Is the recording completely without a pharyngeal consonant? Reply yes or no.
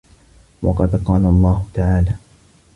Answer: no